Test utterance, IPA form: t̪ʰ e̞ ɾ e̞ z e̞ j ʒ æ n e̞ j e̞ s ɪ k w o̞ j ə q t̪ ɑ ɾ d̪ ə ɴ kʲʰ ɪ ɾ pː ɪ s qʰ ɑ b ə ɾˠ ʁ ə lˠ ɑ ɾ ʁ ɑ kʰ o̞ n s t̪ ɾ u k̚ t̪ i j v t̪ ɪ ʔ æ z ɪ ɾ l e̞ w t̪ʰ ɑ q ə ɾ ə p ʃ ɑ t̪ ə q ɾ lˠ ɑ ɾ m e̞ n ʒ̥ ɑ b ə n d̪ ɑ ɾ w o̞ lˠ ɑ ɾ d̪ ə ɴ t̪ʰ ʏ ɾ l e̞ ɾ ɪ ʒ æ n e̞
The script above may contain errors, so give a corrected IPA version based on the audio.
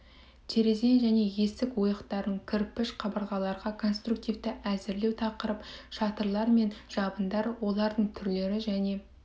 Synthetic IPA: t̪ʰ e̞ ɾ e̞ z e̞ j ʒ æ n e̞ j e̞ s ɪ k w o̞ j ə q t̪ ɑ ɾ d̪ ə ɴ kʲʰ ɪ ɾ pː ɪ ʃ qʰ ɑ b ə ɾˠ ʁ ɑ lˠ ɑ ɾ ʁ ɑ kʰ o̞ n s t̪ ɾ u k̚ t̪ i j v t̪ ɪ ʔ æ z ɪ ɾ l e̞ w t̪ʰ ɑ q ə ɾ ə p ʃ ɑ t̪ ə ɾ lˠ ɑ ɾ m e̞ n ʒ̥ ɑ b ə n d̪ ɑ ɾ w o̞ lˠ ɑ ɾ d̪ ə ɴ t̪ʰ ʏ ɾ l e̞ ɾ ɪ ʒ æ n e̞